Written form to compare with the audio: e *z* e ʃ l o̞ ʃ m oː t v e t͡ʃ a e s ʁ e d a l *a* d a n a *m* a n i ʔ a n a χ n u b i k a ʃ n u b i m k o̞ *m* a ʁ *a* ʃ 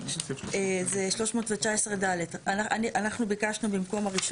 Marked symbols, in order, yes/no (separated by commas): yes, no, no, yes, no